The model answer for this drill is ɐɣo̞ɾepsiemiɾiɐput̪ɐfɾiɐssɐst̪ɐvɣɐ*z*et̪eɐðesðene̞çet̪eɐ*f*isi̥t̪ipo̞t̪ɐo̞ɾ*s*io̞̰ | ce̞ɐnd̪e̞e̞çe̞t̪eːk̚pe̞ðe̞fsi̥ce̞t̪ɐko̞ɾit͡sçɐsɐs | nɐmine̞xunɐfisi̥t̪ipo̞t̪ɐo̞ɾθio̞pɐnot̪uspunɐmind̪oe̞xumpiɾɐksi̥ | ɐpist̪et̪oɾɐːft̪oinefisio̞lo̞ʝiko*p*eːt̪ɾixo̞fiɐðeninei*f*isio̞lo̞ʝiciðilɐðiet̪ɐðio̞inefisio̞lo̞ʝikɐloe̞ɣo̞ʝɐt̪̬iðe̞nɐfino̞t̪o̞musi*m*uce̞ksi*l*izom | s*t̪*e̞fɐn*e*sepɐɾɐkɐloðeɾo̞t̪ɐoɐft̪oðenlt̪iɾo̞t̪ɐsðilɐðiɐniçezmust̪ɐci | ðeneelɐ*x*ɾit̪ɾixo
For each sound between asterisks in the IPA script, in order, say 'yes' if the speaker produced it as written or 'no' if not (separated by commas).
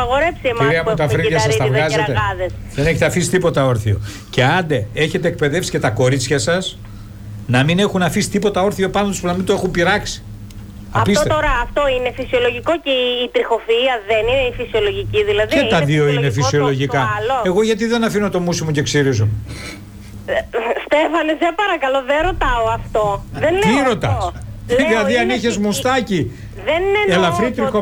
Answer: yes, yes, no, no, yes, yes, no, yes, yes, no